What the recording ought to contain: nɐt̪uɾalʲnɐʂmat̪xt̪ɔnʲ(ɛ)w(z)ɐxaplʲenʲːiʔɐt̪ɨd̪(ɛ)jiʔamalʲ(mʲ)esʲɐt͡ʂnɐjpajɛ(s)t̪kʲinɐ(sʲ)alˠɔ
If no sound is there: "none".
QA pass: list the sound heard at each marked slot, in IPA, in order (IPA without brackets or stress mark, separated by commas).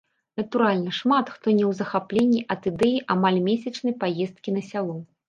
ɛ, z, ɛ, mʲ, s, sʲ